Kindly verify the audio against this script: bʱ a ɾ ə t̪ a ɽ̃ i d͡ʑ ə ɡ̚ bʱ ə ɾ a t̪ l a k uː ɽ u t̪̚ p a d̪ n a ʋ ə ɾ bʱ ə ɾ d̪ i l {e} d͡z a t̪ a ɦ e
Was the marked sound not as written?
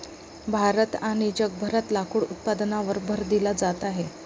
yes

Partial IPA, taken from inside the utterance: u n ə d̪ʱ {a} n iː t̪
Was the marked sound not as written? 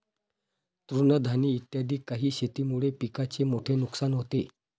no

